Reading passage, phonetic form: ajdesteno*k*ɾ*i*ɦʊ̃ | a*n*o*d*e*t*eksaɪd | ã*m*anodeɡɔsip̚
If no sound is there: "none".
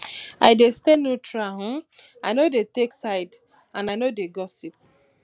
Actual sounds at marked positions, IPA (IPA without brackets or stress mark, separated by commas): t, a, n, d, t, n